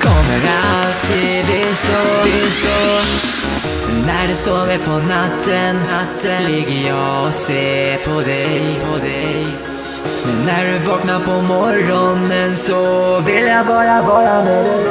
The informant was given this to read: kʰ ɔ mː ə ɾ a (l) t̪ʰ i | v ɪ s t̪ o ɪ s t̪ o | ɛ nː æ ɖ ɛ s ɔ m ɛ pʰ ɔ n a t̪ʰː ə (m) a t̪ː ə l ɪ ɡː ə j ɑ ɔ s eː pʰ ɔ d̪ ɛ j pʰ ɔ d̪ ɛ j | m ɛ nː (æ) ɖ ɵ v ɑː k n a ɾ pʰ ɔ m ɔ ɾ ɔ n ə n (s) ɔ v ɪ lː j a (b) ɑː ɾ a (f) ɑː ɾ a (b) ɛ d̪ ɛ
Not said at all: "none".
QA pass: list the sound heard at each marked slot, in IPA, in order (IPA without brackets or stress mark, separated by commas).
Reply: l, n, æ, s, b, v, m